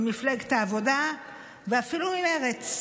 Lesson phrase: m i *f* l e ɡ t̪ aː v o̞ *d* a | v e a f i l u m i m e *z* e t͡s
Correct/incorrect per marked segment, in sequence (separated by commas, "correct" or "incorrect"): correct, correct, incorrect